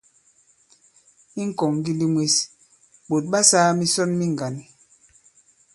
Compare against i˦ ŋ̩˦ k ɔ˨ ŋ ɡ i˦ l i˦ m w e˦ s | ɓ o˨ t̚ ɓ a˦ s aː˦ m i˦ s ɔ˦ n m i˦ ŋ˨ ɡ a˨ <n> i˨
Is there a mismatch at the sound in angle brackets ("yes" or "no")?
no